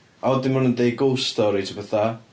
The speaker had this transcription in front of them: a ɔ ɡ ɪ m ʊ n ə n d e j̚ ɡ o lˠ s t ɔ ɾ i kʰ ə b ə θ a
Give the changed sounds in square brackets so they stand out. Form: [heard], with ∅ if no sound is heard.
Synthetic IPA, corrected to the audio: a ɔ [d] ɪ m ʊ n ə n d e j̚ ɡ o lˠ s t ɔ ɾ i [tʰ] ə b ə θ a